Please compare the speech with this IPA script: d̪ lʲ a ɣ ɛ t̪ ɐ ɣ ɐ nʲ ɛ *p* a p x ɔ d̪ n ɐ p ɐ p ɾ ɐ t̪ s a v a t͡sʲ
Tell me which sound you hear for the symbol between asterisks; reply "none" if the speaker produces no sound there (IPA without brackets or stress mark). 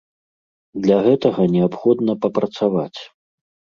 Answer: none